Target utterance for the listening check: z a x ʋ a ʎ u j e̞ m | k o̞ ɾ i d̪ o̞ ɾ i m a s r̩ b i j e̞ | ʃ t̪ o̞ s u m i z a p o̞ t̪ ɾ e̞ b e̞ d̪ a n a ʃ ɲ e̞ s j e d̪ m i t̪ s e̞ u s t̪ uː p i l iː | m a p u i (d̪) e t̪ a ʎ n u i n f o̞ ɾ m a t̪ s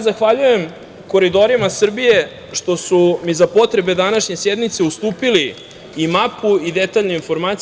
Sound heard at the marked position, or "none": d̪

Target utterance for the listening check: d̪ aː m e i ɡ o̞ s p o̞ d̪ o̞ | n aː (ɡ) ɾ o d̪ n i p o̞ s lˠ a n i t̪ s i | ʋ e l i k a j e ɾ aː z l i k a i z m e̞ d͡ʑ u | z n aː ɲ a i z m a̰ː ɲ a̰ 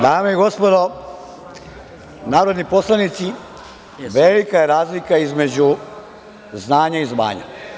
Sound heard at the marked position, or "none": none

